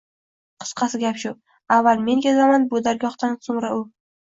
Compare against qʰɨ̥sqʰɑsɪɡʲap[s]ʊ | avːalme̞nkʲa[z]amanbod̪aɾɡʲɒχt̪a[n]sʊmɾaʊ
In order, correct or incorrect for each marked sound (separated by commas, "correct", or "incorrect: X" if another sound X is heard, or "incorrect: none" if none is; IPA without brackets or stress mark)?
incorrect: ʃ, correct, correct